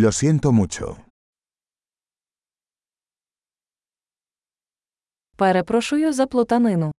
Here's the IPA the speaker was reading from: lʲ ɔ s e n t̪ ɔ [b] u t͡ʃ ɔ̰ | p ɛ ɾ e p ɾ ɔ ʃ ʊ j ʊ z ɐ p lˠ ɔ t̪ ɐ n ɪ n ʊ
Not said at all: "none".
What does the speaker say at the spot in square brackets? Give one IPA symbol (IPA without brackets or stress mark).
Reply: m